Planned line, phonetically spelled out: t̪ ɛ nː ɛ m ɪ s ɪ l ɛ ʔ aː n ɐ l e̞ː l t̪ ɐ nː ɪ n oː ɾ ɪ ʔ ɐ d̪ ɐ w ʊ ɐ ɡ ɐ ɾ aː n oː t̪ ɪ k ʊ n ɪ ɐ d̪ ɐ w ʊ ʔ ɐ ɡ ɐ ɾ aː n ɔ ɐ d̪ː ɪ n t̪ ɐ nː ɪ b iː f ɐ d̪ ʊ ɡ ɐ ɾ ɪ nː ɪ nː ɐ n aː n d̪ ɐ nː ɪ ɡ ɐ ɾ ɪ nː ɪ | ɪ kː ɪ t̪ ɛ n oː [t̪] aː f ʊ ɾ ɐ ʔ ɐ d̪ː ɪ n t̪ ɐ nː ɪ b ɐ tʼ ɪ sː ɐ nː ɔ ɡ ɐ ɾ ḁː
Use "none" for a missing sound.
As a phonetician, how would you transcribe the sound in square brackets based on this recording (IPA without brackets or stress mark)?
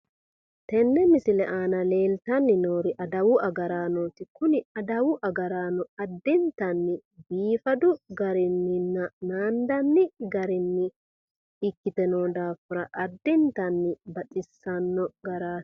d̪